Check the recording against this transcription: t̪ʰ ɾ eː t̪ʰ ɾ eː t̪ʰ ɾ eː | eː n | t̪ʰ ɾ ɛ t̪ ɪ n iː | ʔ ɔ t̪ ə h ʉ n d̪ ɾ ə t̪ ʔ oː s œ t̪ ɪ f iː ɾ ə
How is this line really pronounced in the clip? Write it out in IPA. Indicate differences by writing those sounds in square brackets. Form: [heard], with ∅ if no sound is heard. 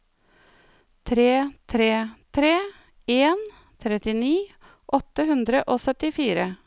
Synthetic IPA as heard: t̪ʰ ɾ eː t̪ʰ ɾ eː t̪ʰ ɾ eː | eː n | t̪ʰ ɾ ɛ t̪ ɪ n iː | ʔ ɔ t̪ ə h ʉ n d̪ ɾ ə [∅] ʔ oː s œ t̪ ɪ f iː ɾ ə

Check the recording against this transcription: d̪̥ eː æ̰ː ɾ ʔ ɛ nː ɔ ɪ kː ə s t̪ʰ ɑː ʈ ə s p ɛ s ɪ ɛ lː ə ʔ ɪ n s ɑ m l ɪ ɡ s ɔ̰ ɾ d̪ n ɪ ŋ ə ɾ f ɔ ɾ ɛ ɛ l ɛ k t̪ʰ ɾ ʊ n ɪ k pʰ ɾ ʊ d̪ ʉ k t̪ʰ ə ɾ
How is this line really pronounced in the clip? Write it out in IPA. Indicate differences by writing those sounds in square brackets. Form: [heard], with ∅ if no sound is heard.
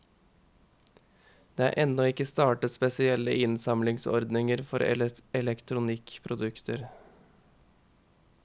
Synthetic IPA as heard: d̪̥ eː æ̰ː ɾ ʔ ɛ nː ɔ ɪ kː ə s [t̪] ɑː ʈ ə s p ɛ s ɪ ɛ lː ə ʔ ɪ n s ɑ m l ɪ [ŋ] s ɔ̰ ɾ d̪ n ɪ ŋ ə ɾ f ɔ ɾ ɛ ɛ l ɛ k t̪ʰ ɾ ʊ n ɪ k pʰ ɾ ʊ d̪ ʉ k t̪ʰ ə ɾ

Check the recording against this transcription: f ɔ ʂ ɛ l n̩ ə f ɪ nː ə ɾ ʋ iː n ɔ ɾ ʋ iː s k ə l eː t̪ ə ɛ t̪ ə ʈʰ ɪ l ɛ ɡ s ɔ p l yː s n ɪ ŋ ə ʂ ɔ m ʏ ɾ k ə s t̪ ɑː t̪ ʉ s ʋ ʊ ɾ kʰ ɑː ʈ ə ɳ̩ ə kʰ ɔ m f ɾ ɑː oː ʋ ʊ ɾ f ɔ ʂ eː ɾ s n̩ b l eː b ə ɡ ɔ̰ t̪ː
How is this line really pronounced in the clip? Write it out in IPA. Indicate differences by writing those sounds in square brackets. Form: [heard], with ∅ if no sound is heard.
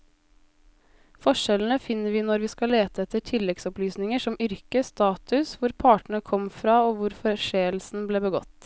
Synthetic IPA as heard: f ɔ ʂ ɛ l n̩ ə f ɪ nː ə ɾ ʋ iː n ɔ ɾ ʋ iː s k [ɑ] l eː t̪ ə ɛ t̪ ə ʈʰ ɪ l ɛ ɡ s ɔ p l yː s n ɪ ŋ ə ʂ ɔ m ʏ ɾ k ə s t̪ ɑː t̪ ʉ s ʋ ʊ ɾ [pʰ] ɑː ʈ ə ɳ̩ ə kʰ ɔ m f ɾ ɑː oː ʋ ʊ ɾ f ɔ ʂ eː [l] s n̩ b l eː b ə ɡ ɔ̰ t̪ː

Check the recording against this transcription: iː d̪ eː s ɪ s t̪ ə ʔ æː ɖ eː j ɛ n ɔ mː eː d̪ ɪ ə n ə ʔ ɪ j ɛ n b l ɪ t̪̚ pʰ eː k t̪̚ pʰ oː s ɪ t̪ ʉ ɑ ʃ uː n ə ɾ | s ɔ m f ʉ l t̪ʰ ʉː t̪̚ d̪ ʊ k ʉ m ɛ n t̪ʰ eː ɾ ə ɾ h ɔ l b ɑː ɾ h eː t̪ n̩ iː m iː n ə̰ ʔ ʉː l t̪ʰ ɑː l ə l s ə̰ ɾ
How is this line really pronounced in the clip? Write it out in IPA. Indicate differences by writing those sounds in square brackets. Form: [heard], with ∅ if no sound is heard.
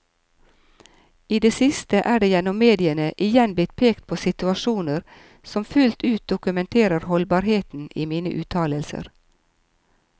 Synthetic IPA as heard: iː d̪ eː s ɪ s t̪ ə ʔ æː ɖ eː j ɛ n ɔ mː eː d̪ ɪ ə n ə ʔ ɪ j ɛ n b l ɪ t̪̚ pʰ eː k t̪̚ pʰ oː s ɪ t̪ ʉ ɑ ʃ uː n ə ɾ | s ɔ m f ʉ l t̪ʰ ʉː t̪̚ d̪ ʊ k ʉ m ɛ n t̪ʰ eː ɾ ə ɾ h ɔ l b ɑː ɾ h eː t̪ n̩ iː m iː n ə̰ ʔ ʉː [∅] t̪ʰ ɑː l ə l s ə̰ ɾ

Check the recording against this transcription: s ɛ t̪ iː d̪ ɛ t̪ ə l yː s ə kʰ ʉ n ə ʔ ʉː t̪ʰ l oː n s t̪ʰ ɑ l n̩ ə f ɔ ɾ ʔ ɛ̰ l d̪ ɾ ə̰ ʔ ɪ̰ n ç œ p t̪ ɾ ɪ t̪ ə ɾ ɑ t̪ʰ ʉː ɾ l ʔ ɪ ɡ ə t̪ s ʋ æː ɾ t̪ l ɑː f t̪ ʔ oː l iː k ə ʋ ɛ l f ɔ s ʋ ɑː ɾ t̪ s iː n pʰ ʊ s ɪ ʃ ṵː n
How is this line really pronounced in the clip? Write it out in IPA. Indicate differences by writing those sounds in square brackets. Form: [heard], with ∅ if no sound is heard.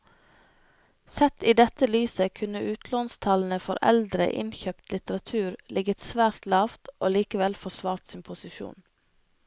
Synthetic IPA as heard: s ɛ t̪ iː d̪ ɛ t̪ ə l yː s ə kʰ ʉ n ə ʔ ʉː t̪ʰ l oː n s t̪ʰ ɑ l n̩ ə f ɔ ɾ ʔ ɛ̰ l d̪ ɾ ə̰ ʔ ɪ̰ n ç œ p t̪ [l] ɪ t̪ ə ɾ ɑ t̪ʰ ʉː ɾ l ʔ ɪ ɡ ə t̪ s ʋ æː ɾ t̪ l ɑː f t̪ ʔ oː l iː k ə ʋ ɛ l f ɔ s ʋ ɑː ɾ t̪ s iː n pʰ ʊ s ɪ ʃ ṵː n

